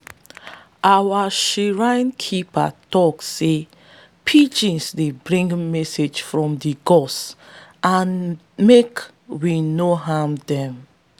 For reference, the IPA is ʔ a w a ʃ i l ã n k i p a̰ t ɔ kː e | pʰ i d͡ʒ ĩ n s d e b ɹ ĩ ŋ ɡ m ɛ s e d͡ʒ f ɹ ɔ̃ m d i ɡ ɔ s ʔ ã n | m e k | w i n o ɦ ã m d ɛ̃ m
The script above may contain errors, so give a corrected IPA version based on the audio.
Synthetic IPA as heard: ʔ a w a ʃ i ɹ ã n kʰ i p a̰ t ɔ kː e | pʰ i d͡ʒ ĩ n s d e b ɹ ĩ ŋ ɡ m ɛ s e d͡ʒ f ɹ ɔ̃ m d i ɡ ɔ s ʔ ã n | m e k | w i n o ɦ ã m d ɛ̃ m

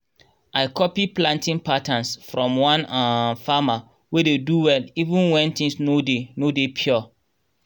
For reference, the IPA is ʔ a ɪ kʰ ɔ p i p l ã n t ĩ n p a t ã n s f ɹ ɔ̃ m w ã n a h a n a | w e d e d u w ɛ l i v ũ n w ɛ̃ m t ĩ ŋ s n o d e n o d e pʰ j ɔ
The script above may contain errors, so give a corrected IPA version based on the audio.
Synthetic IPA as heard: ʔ a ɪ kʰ ɔ p i p l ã n t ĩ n p a t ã n s f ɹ ɔ̃ m w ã n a f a m a | w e d e d u w ɛ l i v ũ n w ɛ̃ n t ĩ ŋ s n o d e n o d e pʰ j ɔ

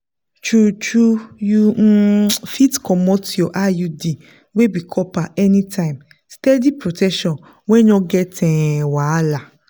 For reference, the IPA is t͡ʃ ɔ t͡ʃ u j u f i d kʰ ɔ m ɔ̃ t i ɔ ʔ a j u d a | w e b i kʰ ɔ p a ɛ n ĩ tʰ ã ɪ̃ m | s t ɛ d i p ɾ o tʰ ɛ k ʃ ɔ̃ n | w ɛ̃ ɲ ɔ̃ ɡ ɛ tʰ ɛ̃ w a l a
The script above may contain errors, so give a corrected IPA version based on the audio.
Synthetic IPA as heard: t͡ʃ u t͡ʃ u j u f i t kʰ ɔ m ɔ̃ t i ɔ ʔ a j u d i | w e b i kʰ ɔ p a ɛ n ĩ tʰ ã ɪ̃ m | s t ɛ d i p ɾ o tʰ ɛ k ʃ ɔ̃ n | w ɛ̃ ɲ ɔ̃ ɡ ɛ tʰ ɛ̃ w a l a

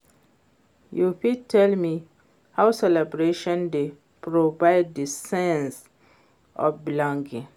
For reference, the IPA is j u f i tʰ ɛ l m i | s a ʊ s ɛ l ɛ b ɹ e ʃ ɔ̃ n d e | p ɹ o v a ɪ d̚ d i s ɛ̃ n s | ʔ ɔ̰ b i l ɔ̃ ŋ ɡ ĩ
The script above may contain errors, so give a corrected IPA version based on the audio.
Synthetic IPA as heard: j u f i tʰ ɛ l m i | h a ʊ s ɛ l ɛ b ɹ e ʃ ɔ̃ n d e | p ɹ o v a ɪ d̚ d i s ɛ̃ n s | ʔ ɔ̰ b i l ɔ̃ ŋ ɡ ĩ

